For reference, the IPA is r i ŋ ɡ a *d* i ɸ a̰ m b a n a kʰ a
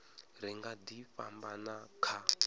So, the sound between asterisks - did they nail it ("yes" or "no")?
yes